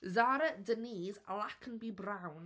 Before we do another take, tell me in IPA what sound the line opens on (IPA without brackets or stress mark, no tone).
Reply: z